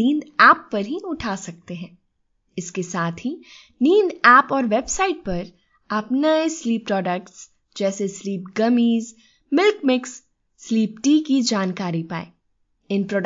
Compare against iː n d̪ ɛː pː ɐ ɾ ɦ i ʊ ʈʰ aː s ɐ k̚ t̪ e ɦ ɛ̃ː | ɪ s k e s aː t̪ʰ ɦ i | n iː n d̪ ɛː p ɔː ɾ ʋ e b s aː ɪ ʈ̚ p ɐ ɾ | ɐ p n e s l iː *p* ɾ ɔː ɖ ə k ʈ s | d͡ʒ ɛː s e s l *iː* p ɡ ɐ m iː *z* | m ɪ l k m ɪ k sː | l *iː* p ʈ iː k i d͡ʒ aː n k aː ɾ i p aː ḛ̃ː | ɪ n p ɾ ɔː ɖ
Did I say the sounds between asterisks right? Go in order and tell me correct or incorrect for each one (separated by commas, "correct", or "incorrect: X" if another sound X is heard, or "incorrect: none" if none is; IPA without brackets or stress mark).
correct, correct, correct, correct